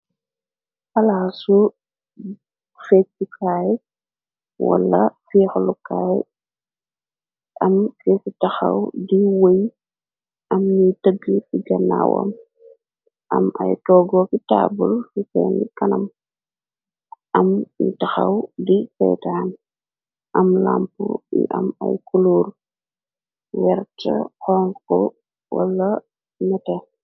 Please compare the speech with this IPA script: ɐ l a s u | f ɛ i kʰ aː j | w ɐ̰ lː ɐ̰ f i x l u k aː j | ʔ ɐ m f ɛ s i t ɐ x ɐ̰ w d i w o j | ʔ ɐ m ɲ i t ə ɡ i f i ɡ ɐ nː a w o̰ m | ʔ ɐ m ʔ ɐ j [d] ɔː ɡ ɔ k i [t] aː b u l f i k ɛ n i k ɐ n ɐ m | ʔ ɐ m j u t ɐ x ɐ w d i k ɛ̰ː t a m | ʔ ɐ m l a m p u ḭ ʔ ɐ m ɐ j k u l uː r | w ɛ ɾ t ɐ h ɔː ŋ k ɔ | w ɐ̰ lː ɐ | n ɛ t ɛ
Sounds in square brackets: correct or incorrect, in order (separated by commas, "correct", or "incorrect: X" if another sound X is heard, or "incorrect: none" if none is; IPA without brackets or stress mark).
incorrect: t, correct